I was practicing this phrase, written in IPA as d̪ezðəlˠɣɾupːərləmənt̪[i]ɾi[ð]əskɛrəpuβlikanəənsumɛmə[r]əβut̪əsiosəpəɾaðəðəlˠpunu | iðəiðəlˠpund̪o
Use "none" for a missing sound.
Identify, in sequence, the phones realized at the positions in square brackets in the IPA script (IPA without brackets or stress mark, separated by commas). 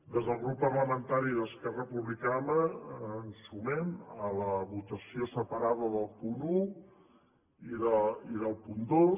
a, ð, l